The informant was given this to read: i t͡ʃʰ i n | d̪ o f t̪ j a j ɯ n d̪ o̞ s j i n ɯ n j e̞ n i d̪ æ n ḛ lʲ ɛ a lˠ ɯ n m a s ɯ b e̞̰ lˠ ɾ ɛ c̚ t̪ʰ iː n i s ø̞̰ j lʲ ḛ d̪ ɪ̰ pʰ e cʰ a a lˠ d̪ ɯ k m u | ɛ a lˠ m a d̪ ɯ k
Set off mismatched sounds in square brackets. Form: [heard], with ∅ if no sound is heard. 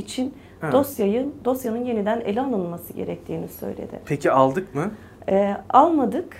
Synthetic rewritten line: i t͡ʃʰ i n | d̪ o [s] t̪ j a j ɯ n d̪ o̞ s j [a] n ɯ n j e̞ n i d̪ æ n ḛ lʲ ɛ a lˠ ɯ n m a s ɯ [ɟ] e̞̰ [∅] ɾ ɛ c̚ t̪ʰ iː n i s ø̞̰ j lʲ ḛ d̪ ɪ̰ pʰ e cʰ [i] a lˠ d̪ ɯ k m [ɯ] | ɛ a lˠ m a d̪ ɯ k